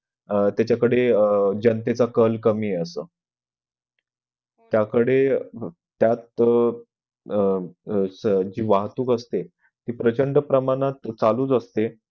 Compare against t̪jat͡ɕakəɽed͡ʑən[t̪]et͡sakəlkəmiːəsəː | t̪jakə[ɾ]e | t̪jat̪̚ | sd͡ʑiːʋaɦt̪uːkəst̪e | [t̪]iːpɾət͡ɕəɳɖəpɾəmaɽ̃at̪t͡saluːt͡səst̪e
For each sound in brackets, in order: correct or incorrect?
correct, incorrect, correct

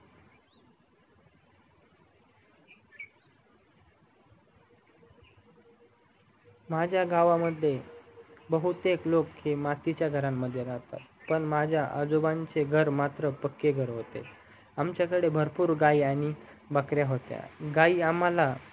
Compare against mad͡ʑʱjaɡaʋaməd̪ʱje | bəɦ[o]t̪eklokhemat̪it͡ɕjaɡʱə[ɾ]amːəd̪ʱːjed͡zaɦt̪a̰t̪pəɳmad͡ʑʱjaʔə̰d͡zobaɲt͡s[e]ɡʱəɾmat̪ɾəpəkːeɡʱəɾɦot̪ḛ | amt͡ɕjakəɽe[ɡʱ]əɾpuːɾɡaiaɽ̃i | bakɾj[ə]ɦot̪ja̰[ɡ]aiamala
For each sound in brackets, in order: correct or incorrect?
incorrect, correct, correct, incorrect, incorrect, correct

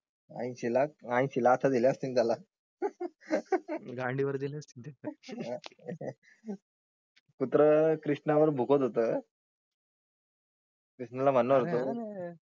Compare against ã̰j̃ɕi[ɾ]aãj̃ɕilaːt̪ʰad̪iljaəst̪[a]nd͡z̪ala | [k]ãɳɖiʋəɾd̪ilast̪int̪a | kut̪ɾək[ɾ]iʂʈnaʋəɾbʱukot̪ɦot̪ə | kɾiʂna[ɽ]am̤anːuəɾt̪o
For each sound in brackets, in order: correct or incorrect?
incorrect, incorrect, incorrect, correct, incorrect

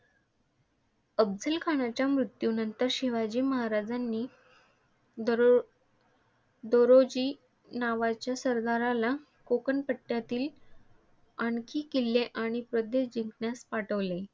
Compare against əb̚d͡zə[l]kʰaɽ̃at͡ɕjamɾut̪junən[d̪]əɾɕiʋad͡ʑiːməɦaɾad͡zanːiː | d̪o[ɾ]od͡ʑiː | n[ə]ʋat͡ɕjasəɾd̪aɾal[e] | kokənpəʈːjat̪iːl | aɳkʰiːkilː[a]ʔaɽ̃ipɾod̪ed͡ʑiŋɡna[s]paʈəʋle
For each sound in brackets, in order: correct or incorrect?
correct, incorrect, correct, incorrect, incorrect, incorrect, correct

